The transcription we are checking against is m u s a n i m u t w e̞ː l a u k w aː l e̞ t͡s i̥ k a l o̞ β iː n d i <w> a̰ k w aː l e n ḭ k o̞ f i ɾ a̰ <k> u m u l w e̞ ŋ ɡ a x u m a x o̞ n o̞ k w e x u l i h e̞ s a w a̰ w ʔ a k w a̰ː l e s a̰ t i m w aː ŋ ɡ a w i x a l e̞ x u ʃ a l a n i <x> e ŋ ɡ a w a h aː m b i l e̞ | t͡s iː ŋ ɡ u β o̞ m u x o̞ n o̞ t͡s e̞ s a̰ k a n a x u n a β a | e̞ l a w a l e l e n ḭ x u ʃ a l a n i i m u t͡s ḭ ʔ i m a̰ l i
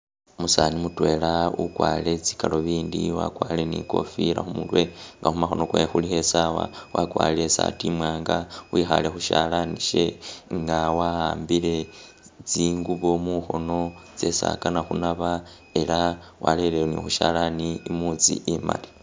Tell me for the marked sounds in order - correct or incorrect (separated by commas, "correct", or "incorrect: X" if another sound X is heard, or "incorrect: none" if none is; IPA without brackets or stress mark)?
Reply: correct, incorrect: x, incorrect: ʃ